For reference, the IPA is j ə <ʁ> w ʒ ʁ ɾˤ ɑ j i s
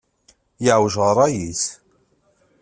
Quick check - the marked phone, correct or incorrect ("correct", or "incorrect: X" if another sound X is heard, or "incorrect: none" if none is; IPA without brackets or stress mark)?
incorrect: ʕ